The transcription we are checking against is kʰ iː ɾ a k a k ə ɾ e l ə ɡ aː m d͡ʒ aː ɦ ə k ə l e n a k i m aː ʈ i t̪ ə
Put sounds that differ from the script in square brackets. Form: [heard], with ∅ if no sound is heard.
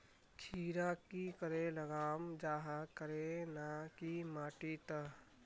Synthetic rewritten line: kʰ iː ɾ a k [i] k ə ɾ e l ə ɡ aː m d͡ʒ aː ɦ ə k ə [ɾ] e n a k i m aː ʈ i t̪ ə